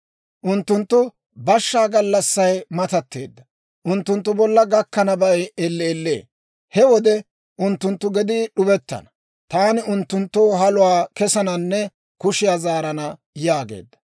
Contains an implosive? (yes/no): yes